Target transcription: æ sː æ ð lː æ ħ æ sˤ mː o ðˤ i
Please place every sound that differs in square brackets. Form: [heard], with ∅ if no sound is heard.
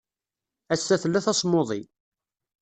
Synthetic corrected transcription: æ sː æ [θ] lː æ [θ] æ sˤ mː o ðˤ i